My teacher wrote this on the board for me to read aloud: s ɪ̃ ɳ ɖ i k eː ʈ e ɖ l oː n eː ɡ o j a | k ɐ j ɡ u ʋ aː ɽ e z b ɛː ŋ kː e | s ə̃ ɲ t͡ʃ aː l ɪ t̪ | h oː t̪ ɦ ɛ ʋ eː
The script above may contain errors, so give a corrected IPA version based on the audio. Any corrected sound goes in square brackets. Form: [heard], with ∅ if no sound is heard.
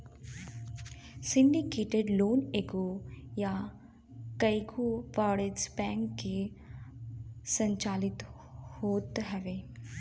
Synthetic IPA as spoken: s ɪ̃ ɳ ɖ i k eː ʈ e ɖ l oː n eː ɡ o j a | k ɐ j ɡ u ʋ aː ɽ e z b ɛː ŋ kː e | s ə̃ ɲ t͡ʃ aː l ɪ t̪ | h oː t̪ ɦ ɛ ʋ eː